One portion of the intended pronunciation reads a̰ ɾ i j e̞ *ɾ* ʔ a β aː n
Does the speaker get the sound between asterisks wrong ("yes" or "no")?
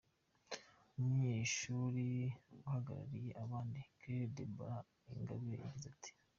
yes